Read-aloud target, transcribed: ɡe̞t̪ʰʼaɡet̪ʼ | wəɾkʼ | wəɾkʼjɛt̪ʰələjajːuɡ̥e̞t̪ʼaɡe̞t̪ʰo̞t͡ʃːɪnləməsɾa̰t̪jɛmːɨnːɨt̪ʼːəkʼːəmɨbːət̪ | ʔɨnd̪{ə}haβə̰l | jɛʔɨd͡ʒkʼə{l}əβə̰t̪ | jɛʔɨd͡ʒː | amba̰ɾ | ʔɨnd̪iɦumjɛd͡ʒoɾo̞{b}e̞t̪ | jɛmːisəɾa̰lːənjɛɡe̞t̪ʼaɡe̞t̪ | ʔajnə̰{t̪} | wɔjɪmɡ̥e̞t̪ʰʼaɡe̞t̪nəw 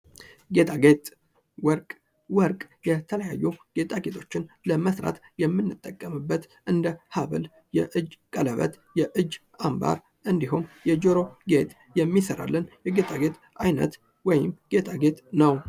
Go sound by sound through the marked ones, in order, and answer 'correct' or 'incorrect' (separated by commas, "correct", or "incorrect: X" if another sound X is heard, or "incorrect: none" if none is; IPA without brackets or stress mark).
correct, correct, incorrect: ɡ, correct